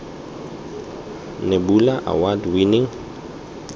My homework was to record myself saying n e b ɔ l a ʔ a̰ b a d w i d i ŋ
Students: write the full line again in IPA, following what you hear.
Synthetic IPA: n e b u l a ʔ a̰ w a d w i n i ŋ